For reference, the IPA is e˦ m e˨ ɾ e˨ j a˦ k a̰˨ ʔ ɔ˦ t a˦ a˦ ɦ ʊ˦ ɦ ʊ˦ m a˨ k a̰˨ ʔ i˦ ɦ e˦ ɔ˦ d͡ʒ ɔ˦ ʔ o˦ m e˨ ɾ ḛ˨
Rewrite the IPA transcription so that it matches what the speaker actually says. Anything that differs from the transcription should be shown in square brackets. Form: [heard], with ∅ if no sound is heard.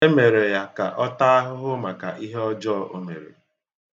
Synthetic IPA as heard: e˦ m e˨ ɾ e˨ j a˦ k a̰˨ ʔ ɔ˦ t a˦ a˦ ɦ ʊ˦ ɦ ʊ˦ m a˨ k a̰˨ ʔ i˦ ɦ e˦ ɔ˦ d͡ʒ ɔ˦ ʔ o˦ m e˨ ɾ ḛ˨

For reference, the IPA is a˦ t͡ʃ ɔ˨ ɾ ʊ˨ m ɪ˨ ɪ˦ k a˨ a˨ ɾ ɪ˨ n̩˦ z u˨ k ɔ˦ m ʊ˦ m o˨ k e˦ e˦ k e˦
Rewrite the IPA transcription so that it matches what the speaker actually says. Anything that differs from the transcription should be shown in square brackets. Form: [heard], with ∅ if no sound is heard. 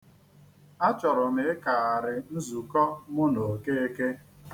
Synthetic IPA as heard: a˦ t͡ʃ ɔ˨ ɾ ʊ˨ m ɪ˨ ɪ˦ k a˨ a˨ ɾ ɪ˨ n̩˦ z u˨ k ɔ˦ m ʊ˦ [n] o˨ k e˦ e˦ k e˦

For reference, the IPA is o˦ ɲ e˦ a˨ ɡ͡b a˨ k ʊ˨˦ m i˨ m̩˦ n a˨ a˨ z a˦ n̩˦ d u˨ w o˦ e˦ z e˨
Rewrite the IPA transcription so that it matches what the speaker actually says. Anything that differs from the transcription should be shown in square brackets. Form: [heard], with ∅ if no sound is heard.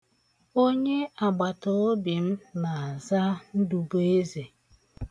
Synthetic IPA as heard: o˦ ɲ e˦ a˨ ɡ͡b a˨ [t] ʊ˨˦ [b] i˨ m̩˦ n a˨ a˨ z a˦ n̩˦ d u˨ [b] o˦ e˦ z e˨

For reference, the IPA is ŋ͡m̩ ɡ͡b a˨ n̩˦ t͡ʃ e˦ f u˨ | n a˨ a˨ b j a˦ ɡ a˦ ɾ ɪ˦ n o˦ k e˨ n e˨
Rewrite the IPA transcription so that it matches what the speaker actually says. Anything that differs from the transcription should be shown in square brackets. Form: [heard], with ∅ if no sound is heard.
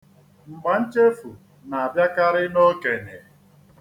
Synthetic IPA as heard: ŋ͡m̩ ɡ͡b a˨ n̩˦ t͡ʃ e˦ f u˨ | n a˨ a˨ b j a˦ [k] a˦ ɾ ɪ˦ n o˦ k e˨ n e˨

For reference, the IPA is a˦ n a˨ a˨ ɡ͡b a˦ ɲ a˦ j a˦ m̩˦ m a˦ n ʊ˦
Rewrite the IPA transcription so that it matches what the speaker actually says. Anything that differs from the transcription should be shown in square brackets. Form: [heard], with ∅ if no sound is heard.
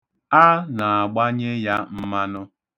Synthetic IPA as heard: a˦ n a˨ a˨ ɡ͡b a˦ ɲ [e˦] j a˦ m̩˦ m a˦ n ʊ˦

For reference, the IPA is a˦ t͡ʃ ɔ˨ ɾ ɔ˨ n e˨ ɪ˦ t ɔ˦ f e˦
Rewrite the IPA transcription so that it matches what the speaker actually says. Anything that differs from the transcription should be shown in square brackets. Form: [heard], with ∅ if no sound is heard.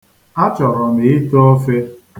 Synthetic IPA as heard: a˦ t͡ʃ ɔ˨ ɾ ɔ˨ [m] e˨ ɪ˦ t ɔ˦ f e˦

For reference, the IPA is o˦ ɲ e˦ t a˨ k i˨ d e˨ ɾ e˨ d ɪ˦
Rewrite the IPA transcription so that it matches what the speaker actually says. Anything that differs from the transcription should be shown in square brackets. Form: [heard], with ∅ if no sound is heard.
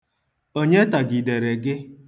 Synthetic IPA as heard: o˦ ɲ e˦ t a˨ [ɡ] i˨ d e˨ ɾ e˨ [ɡ] ɪ˦

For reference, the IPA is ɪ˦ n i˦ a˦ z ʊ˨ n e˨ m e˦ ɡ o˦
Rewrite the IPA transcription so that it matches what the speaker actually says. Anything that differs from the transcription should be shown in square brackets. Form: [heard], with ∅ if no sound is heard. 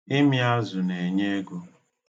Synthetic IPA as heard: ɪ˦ [m] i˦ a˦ z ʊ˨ n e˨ [ɲ] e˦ ɡ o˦

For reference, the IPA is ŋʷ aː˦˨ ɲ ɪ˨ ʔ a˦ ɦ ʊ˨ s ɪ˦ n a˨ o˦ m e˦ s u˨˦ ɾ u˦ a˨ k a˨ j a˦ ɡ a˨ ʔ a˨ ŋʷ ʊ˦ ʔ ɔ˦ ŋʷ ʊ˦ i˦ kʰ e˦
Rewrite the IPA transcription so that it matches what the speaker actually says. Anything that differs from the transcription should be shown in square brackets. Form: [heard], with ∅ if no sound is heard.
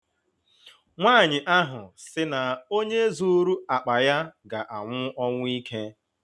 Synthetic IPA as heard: ŋʷ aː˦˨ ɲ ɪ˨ ʔ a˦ ɦ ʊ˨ s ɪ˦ n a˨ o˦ [ɲ] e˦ [z] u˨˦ ɾ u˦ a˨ [k͡p] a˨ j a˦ ɡ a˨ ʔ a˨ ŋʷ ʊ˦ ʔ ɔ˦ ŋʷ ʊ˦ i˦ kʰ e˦

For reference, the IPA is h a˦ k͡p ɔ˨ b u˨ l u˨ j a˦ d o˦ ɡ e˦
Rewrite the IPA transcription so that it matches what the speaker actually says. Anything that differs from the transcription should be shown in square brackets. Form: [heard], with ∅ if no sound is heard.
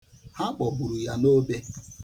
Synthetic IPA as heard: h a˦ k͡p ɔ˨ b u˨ [ɾ] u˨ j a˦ [n] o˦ [b] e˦

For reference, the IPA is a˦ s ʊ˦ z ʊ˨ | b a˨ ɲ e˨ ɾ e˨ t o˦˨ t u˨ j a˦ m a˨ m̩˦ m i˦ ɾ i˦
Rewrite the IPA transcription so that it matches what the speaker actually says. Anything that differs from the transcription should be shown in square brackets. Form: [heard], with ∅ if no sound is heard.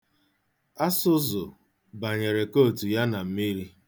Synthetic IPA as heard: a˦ s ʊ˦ z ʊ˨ | b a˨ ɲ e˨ ɾ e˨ [k] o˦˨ t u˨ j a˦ [n] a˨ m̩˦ m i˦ ɾ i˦

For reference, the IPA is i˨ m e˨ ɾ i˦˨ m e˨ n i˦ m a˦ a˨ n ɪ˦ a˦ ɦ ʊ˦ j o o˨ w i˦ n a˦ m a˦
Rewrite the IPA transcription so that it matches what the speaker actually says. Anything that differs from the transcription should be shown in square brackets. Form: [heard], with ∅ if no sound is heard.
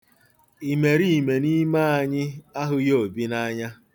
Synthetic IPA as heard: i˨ m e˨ ɾ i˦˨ m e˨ n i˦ m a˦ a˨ [ɲ] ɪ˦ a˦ ɦ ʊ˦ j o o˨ [b] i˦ n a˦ [ɲ] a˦

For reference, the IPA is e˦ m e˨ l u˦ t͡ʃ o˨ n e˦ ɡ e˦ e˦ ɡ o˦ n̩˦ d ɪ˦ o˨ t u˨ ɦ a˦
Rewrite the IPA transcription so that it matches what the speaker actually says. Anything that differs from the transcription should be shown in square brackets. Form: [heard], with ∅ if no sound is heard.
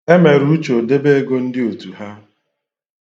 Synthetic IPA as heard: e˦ m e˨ [ɾ] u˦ t͡ʃ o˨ [d] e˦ [b] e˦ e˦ ɡ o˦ n̩˦ d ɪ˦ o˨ t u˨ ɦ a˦

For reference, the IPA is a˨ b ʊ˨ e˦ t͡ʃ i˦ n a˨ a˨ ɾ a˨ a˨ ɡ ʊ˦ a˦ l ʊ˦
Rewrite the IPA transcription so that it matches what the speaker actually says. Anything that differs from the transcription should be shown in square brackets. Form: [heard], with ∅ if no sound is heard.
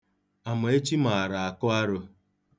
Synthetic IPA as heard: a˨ [m] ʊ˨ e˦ t͡ʃ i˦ [m] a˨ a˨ ɾ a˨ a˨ [k] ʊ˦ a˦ [ɾ] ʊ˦

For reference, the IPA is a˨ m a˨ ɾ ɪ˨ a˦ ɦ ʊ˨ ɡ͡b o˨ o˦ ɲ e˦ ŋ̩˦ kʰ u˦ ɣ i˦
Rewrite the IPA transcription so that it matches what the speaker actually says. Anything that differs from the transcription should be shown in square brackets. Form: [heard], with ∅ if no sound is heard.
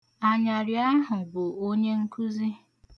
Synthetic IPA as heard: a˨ [ɲ] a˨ ɾ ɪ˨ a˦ ɦ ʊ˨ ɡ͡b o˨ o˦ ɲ e˦ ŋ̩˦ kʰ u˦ [z] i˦

